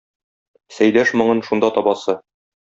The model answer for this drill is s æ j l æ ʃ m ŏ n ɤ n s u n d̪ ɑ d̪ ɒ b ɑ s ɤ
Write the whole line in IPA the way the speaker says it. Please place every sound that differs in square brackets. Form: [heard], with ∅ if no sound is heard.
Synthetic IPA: s æ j l æ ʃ m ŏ [ɴ] ɤ n [ʃ] u n d̪ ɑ [t̪] ɒ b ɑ s ɤ